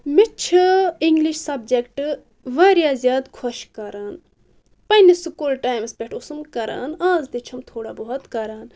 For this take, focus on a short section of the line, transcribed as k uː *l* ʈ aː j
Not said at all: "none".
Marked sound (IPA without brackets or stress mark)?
l